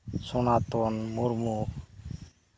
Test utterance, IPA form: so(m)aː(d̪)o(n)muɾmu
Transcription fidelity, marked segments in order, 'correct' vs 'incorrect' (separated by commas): incorrect, incorrect, correct